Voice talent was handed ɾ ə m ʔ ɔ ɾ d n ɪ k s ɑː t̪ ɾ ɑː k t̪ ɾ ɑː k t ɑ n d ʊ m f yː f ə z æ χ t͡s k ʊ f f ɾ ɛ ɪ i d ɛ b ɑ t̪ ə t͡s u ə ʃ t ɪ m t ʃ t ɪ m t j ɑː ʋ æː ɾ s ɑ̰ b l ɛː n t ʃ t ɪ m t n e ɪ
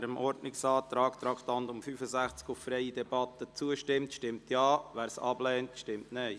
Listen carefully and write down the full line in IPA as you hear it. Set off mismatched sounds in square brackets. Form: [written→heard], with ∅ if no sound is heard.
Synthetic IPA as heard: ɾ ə m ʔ ɔ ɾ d n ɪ k s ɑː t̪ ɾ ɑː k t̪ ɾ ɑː k t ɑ n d ʊ m f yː f ə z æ χ t͡s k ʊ f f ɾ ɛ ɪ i d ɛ b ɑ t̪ ə t͡s u ə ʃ t ɪ m t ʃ t ɪ m t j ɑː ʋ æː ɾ s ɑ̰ b l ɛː n t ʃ t ɪ m t n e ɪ